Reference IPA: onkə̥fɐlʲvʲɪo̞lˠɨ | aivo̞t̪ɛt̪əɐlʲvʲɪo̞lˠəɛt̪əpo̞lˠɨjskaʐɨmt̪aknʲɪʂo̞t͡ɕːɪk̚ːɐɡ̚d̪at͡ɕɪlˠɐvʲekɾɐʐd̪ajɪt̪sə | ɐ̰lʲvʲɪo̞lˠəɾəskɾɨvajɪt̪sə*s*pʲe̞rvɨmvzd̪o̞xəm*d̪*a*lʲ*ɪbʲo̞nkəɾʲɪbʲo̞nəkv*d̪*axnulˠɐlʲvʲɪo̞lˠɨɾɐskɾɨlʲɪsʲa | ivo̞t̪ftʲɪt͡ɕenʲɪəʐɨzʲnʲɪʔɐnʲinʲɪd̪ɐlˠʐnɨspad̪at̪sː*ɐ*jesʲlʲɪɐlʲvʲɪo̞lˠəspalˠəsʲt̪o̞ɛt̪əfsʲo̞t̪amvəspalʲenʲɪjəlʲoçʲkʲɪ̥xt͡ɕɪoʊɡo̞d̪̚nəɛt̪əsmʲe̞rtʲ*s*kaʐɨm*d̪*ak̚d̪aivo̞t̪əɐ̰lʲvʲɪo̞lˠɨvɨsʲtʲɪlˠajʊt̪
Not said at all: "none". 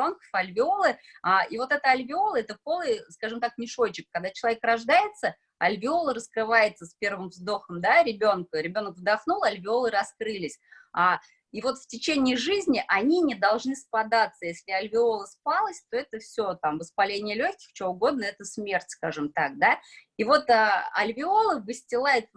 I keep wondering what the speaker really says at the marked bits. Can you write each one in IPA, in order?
s, d̪, ɾʲ, d̪, ə, s, t̪

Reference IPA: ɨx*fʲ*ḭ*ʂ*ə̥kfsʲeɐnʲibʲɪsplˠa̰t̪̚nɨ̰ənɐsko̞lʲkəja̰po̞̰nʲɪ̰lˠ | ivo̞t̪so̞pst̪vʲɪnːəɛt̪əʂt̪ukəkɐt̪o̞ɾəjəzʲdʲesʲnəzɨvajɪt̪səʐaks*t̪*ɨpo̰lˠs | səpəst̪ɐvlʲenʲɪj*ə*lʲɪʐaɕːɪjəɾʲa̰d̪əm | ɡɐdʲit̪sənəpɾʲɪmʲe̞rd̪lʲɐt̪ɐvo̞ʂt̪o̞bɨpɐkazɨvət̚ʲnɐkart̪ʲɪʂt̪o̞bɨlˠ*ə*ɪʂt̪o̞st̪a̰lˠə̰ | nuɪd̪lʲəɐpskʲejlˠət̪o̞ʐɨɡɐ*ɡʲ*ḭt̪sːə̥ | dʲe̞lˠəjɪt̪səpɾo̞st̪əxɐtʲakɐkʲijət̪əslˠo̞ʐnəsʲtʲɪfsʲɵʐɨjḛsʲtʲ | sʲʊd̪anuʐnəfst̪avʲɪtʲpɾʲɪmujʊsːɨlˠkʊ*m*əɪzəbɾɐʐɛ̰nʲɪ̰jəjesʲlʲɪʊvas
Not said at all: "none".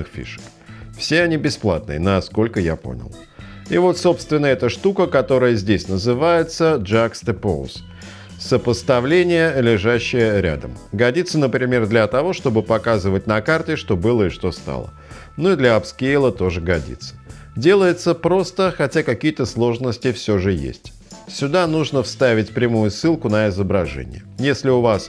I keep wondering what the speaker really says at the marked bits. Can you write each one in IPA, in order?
fʲ, ʂ, t̪, ə, ə, dʲ, n

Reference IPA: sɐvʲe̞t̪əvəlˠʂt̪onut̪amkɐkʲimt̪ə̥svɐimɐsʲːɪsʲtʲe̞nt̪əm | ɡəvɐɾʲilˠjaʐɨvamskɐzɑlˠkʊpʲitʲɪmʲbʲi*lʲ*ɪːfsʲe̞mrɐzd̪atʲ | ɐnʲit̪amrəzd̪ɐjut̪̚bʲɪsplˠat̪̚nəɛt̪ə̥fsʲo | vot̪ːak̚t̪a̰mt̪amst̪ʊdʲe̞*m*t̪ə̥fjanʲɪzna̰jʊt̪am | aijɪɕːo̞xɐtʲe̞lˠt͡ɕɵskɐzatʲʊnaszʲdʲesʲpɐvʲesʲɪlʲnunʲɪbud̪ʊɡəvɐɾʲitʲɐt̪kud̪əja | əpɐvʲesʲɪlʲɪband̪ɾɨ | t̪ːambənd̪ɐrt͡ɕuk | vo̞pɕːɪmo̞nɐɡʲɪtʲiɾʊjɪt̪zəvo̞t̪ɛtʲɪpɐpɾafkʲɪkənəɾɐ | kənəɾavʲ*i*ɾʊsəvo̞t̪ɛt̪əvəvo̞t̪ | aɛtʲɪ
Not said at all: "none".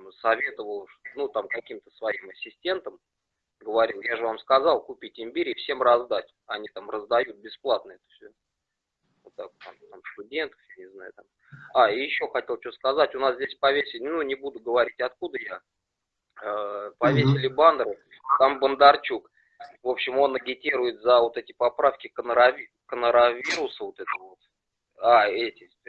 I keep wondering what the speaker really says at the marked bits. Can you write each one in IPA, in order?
ɾʲ, n, i

